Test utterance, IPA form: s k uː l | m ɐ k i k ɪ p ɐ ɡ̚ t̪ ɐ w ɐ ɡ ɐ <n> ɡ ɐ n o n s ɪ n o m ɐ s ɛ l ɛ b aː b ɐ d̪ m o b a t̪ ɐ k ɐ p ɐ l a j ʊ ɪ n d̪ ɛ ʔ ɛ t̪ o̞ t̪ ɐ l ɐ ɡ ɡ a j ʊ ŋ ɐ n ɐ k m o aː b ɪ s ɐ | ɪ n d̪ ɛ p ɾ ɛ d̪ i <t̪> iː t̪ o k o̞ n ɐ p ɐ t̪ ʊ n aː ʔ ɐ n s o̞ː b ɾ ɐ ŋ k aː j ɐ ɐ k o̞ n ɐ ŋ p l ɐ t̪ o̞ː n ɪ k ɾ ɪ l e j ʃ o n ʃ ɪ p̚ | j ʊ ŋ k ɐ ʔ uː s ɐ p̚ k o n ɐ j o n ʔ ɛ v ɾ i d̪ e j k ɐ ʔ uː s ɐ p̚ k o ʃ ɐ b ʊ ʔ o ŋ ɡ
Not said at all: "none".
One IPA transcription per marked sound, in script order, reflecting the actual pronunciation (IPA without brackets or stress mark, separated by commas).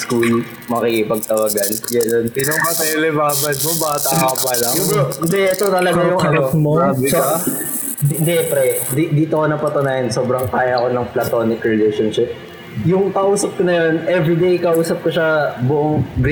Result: n, d̪